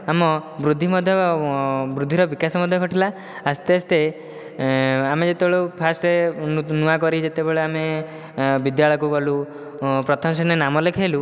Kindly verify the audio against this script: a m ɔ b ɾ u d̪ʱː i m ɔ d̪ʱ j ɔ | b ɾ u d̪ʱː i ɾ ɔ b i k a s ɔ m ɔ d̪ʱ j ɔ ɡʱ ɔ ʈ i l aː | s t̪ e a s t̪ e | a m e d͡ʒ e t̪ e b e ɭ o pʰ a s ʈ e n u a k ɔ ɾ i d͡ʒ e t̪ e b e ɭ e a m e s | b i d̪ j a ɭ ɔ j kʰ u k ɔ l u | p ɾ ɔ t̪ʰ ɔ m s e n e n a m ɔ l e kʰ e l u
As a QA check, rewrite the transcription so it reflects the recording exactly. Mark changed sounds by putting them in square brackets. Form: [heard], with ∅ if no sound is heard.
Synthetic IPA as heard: a m ɔ b ɾ u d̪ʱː i m ɔ d̪ʱ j ɔ | b ɾ u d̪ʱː i ɾ ɔ b i k a s ɔ m ɔ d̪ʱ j ɔ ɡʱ ɔ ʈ i l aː | s t̪ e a s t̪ e | a m e d͡ʒ e t̪ e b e ɭ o pʰ a s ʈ e n u a k ɔ ɾ i d͡ʒ e t̪ e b e ɭ e a m e [∅] | b i d̪ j a ɭ ɔ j [k] u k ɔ l u | p ɾ ɔ t̪ʰ ɔ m s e n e n a m ɔ l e kʰ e l u